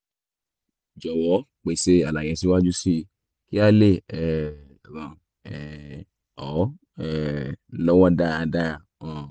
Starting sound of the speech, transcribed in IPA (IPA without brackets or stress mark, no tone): d͡ʒ